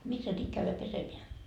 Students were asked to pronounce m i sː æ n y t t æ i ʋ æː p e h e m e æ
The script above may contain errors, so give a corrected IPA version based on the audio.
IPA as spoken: m i sː æ n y t k æ y ʋ æ p e s e m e æ